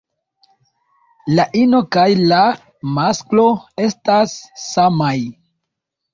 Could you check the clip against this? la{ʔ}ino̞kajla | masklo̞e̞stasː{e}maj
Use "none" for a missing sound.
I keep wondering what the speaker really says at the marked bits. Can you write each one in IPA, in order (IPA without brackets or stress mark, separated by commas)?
ʔ, a